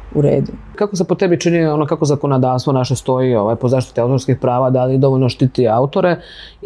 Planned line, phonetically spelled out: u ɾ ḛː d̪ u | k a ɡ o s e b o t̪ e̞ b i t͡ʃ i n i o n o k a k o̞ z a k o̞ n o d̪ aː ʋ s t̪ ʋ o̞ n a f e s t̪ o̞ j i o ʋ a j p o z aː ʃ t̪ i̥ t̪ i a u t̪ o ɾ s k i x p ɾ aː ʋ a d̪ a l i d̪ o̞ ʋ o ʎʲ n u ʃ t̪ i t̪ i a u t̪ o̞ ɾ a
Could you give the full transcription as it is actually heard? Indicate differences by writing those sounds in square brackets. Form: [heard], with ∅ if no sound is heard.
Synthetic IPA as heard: u ɾ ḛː d̪ u | k a [k] o s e [p] o t̪ e̞ b i t͡ʃ i n i o n o k a k o̞ z a k o̞ n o d̪ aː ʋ s t̪ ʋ o̞ n a [ʃ] e s t̪ o̞ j i o ʋ a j p o z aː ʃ t̪ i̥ t̪ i a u t̪ o ɾ s k i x p ɾ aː ʋ a d̪ a l i d̪ o̞ ʋ o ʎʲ n [o] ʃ t̪ i t̪ i a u t̪ o̞ ɾ [e]